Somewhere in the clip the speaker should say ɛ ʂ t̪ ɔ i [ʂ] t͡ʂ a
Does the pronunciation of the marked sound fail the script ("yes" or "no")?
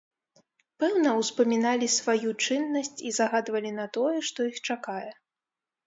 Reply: yes